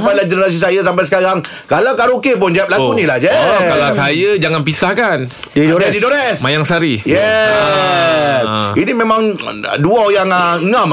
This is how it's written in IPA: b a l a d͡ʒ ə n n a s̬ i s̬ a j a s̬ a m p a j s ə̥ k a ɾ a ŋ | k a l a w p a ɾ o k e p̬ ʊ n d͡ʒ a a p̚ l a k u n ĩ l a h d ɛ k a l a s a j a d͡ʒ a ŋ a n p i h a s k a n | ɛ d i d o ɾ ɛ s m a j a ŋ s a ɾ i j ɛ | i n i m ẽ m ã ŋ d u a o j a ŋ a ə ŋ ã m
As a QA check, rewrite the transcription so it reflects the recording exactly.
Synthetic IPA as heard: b a l a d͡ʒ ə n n a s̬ i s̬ a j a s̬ a m p a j s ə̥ k a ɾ a ŋ | k a l a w k a ɾ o k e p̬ ʊ n d͡ʒ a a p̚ l a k u n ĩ l a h d͡ʒ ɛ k a l a s a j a d͡ʒ a ŋ a n p i s a h k a n | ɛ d i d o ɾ ɛ s m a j a ŋ s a ɾ i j ɛ | i n i m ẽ m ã ŋ d u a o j a ŋ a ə ŋ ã m